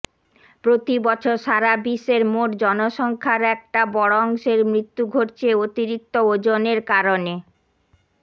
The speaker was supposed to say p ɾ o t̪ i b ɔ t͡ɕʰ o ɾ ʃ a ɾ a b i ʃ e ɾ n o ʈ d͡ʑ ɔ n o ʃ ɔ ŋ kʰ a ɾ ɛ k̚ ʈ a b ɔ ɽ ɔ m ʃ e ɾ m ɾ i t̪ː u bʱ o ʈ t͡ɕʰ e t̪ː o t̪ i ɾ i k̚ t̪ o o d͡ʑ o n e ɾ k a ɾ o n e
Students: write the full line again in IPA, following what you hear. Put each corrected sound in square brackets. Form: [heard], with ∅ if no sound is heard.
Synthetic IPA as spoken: p ɾ o t̪ i b ɔ t͡ɕʰ o ɾ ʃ a ɾ a b i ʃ e ɾ [m] o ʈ d͡ʑ ɔ n o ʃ ɔ ŋ kʰ a ɾ ɛ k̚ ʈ a b ɔ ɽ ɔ [ŋ] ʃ e ɾ m ɾ i t̪ː u [ɡʱ] o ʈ t͡ɕʰ e [∅] o t̪ i ɾ i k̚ t̪ o o d͡ʑ o n e ɾ k a ɾ o n e